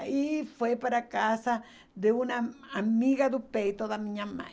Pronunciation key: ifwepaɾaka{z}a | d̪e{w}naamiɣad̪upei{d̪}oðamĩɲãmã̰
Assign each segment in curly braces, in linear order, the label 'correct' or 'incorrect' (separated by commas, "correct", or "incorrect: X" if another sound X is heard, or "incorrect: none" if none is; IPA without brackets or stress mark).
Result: incorrect: s, incorrect: u, incorrect: t̪